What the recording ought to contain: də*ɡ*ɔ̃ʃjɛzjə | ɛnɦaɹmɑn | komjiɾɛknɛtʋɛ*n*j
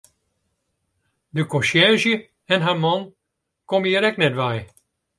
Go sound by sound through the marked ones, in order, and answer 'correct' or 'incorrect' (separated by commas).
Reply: incorrect, incorrect